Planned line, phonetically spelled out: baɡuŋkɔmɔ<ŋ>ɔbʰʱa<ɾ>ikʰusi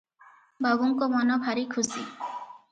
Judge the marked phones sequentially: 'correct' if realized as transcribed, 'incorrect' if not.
incorrect: n, correct

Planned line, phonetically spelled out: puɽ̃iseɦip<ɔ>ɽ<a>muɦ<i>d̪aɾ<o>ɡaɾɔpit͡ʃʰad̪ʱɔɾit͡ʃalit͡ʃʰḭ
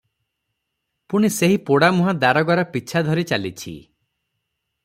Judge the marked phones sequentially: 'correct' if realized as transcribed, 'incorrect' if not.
incorrect: o, correct, incorrect: a, incorrect: ɔ

